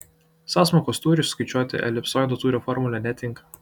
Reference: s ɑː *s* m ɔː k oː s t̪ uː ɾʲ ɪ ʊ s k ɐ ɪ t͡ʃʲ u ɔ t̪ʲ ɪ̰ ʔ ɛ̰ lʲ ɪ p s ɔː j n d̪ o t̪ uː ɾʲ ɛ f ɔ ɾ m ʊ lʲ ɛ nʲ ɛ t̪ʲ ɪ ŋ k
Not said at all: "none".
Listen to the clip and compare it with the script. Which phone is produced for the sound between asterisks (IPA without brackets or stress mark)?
s